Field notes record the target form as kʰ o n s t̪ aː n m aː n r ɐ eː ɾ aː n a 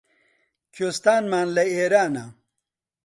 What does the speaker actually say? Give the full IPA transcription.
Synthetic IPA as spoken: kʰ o s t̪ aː n m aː n l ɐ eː ɾ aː n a